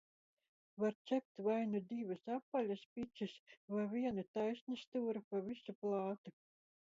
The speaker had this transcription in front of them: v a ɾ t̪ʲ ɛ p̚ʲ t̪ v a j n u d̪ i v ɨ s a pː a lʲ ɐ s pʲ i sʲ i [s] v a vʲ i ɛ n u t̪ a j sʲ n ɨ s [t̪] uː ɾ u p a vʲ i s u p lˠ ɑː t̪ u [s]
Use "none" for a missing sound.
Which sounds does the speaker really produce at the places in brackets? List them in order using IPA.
s, t̪, none

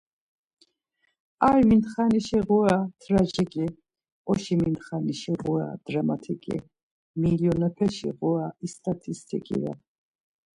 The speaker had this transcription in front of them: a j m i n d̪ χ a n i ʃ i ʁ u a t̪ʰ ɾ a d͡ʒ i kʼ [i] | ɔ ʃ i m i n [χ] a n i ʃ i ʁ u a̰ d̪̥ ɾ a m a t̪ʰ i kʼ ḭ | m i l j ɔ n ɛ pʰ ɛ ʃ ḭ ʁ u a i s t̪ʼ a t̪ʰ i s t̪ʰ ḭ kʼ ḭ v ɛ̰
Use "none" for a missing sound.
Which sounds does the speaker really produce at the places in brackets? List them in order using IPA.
i, χ

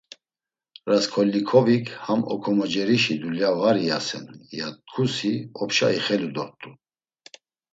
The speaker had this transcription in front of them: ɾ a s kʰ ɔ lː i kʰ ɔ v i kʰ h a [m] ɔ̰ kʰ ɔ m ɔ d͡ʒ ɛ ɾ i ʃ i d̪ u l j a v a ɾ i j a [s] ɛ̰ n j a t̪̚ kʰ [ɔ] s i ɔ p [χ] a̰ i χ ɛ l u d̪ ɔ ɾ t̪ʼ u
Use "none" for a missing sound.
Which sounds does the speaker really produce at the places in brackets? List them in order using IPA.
m, s, u, ʃ

